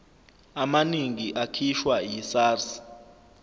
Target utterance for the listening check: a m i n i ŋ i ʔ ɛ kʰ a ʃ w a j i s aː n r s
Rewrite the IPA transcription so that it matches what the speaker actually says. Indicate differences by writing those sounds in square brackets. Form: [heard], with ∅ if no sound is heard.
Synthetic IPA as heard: a m [a] n i ŋ i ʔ [a] kʰ [i] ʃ w a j i s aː [∅] r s